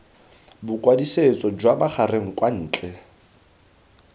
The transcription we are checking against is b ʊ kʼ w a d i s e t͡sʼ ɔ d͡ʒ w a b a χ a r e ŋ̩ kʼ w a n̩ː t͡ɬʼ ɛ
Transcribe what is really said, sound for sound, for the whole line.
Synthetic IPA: b ʊ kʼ w a d i s e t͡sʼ ɔ d͡ʒ w a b a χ a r e ŋ̩ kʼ w a n̩ː t͡ɬʼ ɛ